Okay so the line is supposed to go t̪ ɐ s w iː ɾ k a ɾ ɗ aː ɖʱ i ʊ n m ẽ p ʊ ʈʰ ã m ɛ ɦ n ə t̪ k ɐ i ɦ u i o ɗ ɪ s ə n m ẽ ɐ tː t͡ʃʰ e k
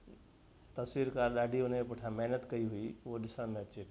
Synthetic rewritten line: t̪ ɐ s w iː ɾ k a ɾ ɗ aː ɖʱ i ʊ n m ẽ p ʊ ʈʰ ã m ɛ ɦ n ə t̪ k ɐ i ɦ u i o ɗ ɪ s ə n m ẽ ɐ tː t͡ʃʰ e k